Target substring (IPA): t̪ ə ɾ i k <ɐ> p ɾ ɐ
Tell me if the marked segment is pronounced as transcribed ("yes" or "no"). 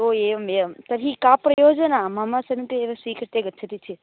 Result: no